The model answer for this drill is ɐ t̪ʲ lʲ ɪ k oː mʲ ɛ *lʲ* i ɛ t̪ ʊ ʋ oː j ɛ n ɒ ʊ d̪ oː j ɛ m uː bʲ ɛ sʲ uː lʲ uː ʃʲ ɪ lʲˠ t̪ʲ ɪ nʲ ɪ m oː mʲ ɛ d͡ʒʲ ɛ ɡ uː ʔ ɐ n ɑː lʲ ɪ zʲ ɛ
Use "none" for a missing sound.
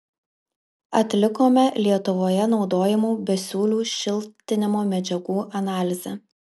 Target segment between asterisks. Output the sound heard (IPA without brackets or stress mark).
lʲ